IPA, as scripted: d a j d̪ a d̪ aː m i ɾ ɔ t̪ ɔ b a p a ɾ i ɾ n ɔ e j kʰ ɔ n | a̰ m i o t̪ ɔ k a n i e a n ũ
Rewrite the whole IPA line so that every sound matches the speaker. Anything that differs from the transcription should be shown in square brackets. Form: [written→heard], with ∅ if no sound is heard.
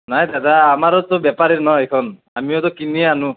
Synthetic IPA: [d→n] a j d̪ a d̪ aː m [i→a] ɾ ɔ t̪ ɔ b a p a ɾ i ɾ n ɔ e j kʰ ɔ n | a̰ m i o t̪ ɔ k [a→i] n i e a n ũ